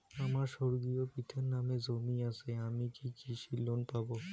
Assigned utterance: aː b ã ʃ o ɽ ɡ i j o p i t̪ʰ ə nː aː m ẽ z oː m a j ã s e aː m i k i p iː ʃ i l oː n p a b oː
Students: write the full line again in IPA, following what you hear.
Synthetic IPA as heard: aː m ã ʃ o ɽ ɡ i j o p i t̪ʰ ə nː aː m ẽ z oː m i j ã s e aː m i k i k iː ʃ i l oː n p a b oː